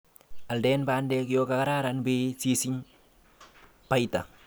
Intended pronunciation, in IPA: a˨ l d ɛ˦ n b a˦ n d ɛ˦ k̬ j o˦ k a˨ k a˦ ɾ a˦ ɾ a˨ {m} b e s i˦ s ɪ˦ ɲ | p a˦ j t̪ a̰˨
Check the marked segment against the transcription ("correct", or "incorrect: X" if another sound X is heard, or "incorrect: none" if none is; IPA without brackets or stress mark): incorrect: n